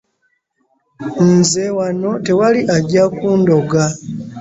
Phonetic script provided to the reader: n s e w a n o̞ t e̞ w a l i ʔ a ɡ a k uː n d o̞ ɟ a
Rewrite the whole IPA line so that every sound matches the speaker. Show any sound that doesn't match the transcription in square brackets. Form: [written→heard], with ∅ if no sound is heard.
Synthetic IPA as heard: n [s→z] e w a n o̞ t e̞ w a l i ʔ a [ɡ→ɟ] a k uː n d o̞ [ɟ→ɡ] a